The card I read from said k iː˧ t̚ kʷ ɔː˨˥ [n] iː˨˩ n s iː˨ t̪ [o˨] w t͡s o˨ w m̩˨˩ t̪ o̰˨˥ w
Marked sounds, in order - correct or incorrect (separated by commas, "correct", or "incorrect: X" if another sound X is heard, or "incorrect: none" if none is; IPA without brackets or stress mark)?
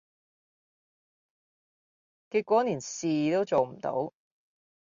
correct, incorrect: o˥